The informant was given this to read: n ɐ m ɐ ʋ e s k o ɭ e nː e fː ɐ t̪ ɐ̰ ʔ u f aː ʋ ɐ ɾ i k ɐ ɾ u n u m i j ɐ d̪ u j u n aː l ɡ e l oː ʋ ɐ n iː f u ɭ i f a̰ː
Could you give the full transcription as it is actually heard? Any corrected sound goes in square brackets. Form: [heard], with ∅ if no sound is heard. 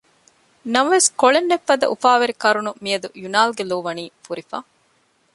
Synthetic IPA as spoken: n ɐ m ɐ ʋ e s k o ɭ e nː e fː ɐ [d̪] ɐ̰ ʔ u f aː ʋ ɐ ɾ i k ɐ ɾ u n u m i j ɐ d̪ u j u n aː l ɡ e l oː ʋ ɐ n iː f u [ɾ] i f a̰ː